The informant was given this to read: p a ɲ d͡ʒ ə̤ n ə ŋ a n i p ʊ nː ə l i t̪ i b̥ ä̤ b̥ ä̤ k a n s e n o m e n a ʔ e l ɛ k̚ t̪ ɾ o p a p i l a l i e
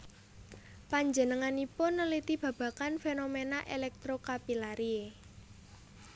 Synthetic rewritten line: p a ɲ d͡ʒ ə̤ n ə ŋ a n i p ʊ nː ə l i t̪ i b̥ ä̤ b̥ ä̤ k a n f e n o m e n a ʔ e l ɛ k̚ t̪ ɾ o k a p i l a ɾ i e

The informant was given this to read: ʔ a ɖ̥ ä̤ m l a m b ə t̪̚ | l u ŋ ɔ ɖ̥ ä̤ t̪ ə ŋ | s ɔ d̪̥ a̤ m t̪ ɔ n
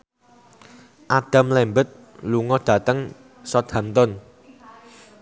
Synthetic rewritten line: ʔ a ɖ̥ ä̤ m l ɛ m b ə t̪̚ | l u ŋ ɔ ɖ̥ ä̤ t̪ ə ŋ | s ɔ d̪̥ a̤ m t̪ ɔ n

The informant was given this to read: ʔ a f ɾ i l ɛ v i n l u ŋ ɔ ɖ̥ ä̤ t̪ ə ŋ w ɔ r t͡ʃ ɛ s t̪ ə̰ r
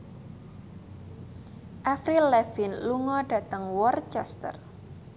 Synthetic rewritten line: ʔ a f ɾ i l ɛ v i n l u ŋ ɔ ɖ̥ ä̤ t̪ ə ŋ w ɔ r t͡ʃ ɛ s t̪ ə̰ r

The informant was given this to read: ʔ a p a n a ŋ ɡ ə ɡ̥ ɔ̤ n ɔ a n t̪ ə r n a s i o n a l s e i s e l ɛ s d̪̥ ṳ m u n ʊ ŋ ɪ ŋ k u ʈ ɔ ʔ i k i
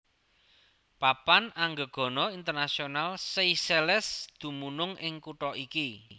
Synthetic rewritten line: p a p a n a ŋ ɡ ə ɡ̥ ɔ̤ n ɔ i n t̪ ə r n a s i o n a l s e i s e l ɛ s d̪̥ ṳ m u n ʊ ŋ ɪ ŋ k u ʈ ɔ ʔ i k i

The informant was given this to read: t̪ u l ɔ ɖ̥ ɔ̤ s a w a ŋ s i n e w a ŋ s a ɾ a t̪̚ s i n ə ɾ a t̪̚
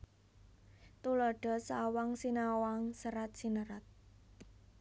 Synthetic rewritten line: t̪ u l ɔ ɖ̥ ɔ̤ s a w a ŋ s i n a w a ŋ s ə ɾ a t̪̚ s i n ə ɾ a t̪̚

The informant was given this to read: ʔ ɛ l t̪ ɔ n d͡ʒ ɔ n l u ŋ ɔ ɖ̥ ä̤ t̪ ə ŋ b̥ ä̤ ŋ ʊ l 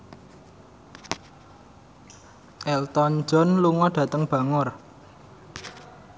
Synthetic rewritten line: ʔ ɛ l t̪ ɔ n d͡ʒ ɔ n l u ŋ ɔ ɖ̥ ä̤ t̪ ə ŋ b̥ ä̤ ŋ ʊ r

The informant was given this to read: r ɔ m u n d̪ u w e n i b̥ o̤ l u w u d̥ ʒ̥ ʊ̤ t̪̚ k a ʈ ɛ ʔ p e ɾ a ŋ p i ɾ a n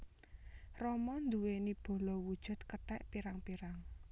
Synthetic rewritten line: r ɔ m ɔ n d̪ u w e n i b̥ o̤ l ɔ w u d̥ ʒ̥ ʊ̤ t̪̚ k ə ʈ ɛ ʔ p i ɾ a ŋ p i ɾ a ŋ

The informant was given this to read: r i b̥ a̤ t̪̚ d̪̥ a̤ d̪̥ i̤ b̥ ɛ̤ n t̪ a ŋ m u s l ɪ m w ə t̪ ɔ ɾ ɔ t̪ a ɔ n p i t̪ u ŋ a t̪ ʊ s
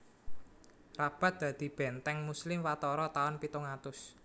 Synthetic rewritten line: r a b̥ a̤ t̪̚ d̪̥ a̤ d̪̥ i̤ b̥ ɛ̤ n t̪ ɛ ŋ m u s l ɪ m w a t̪ ɔ ɾ ɔ t̪ a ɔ n p i t̪ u ŋ a t̪ ʊ s

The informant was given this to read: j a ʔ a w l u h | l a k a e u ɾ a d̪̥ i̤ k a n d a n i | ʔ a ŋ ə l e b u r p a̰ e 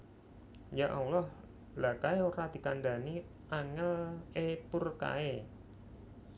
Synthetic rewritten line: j a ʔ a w l ɔ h | l a k a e o ɾ a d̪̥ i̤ k a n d a n i | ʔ a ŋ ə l e p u r k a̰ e

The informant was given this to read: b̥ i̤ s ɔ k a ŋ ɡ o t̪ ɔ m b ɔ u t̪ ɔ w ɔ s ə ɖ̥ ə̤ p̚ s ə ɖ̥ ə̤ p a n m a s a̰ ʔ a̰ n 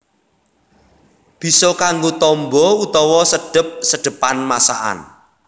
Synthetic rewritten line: b̥ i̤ s ɔ k a ŋ ɡ o t̪ ɔ m b ɔ u t̪ ɔ w ɔ s ə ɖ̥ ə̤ p̚ s ə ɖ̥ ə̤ p a n m a s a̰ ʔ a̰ n

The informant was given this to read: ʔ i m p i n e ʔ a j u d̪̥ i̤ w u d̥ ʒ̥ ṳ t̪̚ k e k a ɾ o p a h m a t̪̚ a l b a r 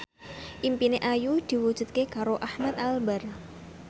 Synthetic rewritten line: ʔ i m p i n e ʔ a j u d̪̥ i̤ w u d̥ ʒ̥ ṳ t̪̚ k e k a ɾ o ʔ a h m a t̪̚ a l b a r

